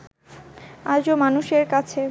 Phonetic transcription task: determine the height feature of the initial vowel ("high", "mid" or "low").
low